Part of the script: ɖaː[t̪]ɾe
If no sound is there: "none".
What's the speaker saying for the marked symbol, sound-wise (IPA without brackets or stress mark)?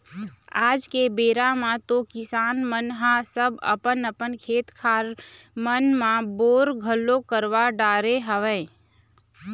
none